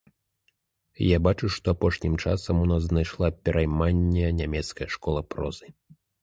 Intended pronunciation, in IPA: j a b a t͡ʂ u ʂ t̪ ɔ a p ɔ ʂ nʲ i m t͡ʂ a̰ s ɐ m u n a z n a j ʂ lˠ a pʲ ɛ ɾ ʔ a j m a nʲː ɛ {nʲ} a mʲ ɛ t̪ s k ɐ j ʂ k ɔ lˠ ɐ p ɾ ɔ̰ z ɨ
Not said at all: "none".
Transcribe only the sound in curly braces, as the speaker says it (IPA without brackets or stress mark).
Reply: nʲ